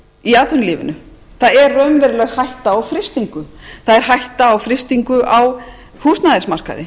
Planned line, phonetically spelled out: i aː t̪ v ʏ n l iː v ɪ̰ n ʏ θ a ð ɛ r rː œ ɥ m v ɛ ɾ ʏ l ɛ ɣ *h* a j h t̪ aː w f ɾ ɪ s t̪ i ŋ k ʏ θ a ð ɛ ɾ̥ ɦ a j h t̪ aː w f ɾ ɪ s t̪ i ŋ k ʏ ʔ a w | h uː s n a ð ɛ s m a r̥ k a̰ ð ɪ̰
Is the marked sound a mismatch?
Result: no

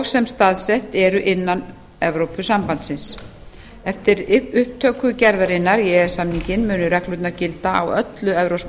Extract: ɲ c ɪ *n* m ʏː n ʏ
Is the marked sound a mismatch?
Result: no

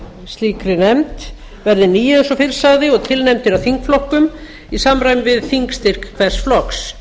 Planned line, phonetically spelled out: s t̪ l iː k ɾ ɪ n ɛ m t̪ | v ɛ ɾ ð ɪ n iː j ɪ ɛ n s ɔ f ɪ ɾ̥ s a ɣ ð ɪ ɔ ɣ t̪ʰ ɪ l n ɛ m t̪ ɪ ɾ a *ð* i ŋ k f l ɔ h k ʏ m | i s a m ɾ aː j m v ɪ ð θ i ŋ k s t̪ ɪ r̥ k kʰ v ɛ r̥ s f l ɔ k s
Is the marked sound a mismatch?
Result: yes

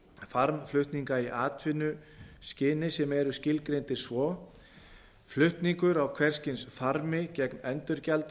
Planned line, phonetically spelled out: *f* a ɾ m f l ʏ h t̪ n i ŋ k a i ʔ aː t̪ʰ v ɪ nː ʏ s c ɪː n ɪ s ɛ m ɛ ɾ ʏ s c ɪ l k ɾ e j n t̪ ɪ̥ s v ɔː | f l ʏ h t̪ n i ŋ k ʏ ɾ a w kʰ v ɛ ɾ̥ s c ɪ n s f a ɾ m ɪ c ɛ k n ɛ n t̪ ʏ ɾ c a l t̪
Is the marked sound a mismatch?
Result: no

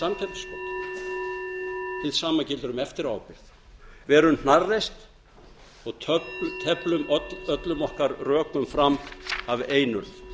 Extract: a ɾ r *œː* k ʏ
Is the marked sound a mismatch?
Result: no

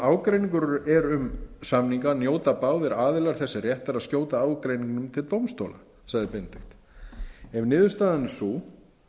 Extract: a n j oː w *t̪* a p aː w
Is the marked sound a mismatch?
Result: no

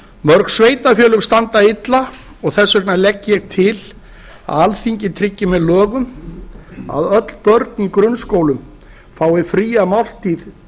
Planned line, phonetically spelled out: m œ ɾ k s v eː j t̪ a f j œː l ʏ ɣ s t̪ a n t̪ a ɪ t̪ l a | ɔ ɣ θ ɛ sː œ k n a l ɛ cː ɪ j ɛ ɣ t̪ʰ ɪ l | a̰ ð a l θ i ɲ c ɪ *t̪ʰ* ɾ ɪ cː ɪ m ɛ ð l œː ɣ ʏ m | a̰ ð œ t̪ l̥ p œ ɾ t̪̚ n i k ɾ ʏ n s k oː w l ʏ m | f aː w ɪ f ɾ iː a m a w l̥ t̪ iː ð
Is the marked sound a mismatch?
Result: no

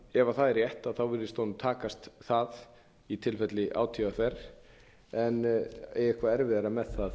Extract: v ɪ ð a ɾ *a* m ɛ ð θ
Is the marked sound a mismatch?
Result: no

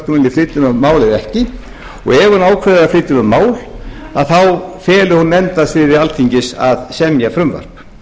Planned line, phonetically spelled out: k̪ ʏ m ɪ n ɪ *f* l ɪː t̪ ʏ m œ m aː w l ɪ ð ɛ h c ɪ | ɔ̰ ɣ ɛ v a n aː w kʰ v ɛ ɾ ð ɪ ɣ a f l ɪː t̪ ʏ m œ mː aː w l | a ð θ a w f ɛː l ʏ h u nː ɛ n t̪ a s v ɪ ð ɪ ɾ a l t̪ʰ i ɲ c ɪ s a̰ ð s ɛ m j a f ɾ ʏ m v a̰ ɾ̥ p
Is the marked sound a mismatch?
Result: no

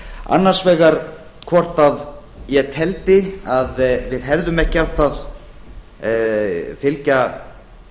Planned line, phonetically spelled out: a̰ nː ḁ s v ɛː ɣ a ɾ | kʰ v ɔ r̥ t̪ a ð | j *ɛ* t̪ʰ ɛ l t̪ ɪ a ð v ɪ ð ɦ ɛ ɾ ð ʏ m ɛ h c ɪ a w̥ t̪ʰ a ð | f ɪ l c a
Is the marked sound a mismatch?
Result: no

